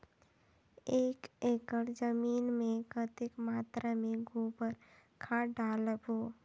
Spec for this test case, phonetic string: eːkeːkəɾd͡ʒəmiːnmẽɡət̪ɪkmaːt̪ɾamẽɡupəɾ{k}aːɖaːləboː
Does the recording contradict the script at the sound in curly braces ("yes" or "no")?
yes